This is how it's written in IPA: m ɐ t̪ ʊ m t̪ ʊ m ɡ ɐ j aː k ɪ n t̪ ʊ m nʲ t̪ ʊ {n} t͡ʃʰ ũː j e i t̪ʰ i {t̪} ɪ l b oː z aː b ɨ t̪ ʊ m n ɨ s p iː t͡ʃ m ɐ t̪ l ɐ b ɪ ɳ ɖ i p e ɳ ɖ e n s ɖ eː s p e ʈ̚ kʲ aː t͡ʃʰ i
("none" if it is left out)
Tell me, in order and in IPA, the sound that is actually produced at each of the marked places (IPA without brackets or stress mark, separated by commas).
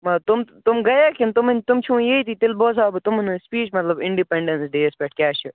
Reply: m, t̪